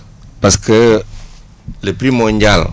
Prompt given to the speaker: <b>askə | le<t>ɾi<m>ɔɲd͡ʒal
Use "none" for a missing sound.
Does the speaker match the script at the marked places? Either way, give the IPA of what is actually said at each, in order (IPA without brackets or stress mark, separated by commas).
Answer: p, p, m